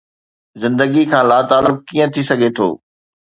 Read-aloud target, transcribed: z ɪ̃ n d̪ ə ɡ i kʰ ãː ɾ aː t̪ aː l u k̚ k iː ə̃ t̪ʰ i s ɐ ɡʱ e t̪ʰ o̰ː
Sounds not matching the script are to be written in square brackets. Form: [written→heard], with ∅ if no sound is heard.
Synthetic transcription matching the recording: z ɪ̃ n d̪ ə ɡ i kʰ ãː [ɾ→l] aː t̪ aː l [u→ʊ] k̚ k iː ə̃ t̪ʰ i s ɐ ɡʱ e t̪ʰ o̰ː